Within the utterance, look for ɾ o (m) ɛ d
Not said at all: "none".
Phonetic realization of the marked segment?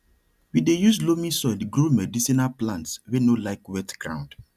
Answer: m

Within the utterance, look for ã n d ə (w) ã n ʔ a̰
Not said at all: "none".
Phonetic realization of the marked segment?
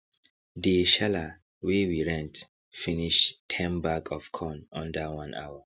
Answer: w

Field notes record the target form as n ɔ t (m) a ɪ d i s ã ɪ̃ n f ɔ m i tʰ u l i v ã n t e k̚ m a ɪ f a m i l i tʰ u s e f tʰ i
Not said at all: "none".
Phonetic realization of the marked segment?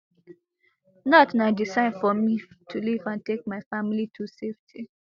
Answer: n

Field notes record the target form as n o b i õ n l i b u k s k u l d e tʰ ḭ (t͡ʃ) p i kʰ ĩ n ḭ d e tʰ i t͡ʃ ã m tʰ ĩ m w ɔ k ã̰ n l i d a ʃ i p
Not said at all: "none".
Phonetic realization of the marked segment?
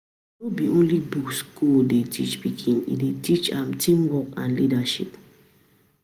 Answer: t͡ʃ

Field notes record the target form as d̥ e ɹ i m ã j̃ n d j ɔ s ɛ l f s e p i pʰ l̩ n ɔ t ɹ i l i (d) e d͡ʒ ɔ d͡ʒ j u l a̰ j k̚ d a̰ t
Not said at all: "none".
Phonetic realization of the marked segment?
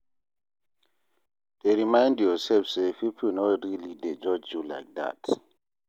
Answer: d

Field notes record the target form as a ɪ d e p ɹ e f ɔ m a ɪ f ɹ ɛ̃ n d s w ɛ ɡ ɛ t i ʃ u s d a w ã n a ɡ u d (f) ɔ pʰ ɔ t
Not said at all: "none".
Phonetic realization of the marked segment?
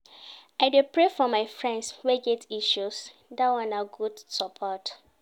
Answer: s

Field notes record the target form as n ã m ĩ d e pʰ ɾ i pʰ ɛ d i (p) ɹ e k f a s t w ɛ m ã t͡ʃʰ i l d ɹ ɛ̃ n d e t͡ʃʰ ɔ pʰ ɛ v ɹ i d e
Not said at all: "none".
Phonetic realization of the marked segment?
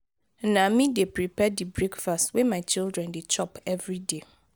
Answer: b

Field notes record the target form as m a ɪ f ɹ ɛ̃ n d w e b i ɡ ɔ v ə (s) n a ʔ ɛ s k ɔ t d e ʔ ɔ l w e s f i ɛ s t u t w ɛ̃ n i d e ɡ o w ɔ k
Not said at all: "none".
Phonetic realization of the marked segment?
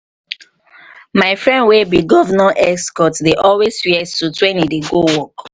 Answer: none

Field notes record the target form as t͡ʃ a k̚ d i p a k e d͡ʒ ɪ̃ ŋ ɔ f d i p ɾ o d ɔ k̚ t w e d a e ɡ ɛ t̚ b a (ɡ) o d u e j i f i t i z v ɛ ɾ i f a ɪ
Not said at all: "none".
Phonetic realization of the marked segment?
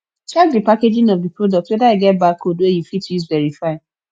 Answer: k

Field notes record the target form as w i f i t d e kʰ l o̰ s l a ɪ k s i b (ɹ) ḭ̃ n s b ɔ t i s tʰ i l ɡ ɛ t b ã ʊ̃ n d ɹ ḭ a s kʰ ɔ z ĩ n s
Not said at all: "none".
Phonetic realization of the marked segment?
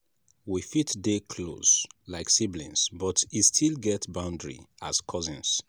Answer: l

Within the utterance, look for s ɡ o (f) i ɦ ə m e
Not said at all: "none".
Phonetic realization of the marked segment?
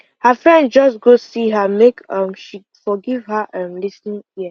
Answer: s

